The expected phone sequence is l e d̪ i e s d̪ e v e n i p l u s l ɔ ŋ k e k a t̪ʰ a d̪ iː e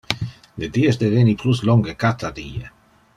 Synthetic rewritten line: l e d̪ i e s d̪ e v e n i p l u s l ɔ ŋ ɡ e k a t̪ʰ a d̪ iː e